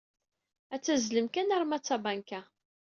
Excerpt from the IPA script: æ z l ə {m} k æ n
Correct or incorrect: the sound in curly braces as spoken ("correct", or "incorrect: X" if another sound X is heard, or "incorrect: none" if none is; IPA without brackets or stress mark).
correct